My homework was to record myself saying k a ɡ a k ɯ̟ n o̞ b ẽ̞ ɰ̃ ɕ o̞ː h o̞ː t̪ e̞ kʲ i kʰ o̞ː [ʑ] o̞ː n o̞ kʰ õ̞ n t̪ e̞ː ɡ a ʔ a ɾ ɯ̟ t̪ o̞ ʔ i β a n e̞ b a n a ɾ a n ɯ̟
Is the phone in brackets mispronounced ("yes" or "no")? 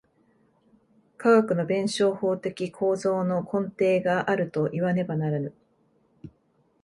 yes